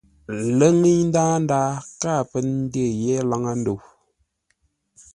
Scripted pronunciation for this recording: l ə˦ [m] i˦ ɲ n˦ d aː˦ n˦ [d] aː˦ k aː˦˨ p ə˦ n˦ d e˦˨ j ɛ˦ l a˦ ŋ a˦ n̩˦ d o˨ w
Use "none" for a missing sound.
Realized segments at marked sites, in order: ŋ, d

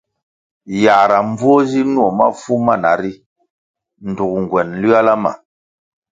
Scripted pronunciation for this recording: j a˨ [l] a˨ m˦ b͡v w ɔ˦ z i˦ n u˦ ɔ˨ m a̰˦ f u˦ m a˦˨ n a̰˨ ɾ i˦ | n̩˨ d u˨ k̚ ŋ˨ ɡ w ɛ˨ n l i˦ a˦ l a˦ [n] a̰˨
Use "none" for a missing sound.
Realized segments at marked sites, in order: ɾ, m

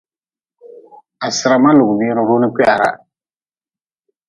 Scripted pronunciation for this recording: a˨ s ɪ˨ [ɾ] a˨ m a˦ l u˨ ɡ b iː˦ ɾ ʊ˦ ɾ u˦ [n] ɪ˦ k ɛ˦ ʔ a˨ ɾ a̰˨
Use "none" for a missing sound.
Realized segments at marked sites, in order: ɾ, n

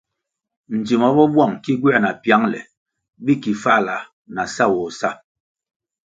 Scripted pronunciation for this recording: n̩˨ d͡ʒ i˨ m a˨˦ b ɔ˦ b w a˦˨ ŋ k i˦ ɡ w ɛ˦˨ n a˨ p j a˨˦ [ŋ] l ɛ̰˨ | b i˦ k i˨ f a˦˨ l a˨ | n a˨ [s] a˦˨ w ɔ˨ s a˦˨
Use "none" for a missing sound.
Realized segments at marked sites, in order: ŋ, s

